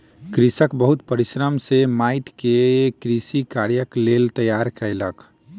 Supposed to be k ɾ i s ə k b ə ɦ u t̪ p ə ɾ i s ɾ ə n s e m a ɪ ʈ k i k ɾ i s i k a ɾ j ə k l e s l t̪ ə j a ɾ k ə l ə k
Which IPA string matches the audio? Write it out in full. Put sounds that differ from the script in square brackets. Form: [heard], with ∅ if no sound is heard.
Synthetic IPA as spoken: k ɾ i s ə k b ə ɦ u t̪ p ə ɾ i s ɾ ə [m] s e m a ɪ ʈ k [e] k ɾ i s i k a ɾ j ə k l e [∅] l t̪ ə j a ɾ k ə l ə k